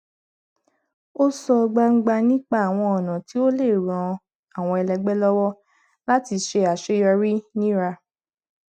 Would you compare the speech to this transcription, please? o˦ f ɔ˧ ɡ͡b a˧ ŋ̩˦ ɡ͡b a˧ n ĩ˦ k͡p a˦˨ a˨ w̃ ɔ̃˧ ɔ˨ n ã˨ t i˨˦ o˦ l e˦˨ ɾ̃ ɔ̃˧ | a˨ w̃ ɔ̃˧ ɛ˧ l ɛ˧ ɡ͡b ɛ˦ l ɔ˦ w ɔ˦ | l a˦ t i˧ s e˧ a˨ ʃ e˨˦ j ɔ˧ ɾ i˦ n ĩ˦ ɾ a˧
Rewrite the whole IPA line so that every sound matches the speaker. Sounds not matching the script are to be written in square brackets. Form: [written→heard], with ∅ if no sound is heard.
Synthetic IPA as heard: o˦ [f→s] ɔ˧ ɡ͡b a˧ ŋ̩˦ ɡ͡b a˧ n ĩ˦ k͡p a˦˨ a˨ w̃ ɔ̃˧ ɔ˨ n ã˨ t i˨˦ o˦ l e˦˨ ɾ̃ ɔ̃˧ | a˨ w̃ ɔ̃˧ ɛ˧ l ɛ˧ ɡ͡b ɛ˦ l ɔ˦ w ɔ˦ | l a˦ t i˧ [s→ʃ] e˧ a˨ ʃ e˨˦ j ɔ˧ ɾ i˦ n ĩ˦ ɾ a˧